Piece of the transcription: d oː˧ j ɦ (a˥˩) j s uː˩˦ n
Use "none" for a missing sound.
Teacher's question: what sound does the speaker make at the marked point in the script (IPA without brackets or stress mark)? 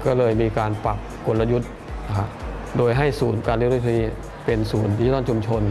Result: a˥˩